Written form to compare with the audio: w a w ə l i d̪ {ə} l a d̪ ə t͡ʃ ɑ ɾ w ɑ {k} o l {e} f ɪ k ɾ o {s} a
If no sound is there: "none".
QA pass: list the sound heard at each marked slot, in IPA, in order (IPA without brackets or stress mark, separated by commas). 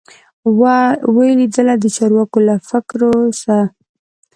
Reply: ə, k, a, s